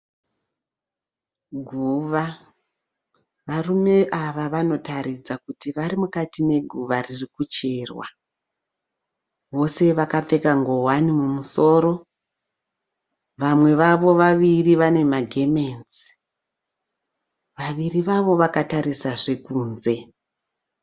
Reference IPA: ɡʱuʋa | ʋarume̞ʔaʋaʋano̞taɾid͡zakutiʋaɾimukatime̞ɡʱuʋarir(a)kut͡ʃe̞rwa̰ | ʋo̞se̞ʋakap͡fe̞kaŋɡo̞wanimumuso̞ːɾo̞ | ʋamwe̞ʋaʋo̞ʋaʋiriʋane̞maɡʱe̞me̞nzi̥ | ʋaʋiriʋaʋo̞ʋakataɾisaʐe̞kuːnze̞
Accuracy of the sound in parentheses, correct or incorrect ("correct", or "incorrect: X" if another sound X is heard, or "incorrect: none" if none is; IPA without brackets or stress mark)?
incorrect: i